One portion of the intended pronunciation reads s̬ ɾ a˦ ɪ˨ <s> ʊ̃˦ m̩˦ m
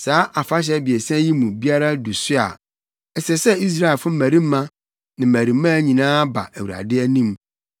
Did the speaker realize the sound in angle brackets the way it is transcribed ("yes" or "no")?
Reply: no